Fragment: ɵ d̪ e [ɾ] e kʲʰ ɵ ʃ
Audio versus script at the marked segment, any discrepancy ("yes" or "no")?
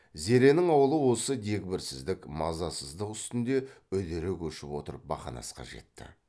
no